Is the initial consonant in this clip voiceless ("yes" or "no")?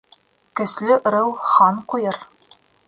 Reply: yes